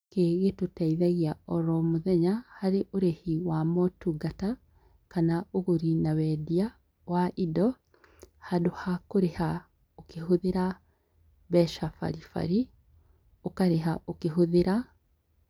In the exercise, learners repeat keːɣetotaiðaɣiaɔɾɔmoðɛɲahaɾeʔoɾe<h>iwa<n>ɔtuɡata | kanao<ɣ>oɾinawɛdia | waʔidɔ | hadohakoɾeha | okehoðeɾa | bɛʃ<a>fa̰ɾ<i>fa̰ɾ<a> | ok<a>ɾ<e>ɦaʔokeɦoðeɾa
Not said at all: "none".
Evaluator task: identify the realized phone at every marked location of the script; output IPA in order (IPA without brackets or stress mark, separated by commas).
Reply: h, m, ɣ, a, i, i, a, e